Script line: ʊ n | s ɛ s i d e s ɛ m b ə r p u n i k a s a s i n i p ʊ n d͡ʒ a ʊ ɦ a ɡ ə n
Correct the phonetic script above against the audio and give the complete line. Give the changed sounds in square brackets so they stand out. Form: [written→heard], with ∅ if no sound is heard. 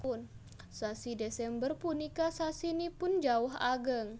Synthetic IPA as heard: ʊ n | s [ɛ→a] s i d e s ɛ m b ə r p u n i k a s a s i n i p ʊ n d͡ʒ a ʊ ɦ a ɡ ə [n→ŋ]